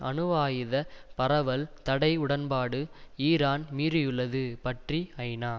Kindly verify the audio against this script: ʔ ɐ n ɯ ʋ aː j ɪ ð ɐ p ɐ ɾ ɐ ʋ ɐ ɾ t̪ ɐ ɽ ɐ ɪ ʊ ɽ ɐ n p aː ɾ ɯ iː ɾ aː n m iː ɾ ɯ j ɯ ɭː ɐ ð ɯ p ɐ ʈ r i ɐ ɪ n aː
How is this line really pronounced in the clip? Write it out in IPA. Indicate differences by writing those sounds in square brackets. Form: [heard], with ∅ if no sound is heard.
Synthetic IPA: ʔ ɐ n ɯ ʋ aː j ɪ ð ɐ p ɐ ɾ ɐ ʋ ɐ [l] t̪ ɐ ɽ ɐ ɪ ʊ ɽ ɐ n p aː [ɽ] ɯ iː ɾ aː n m iː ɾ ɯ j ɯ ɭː ɐ ð ɯ p ɐ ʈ r i ɐ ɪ n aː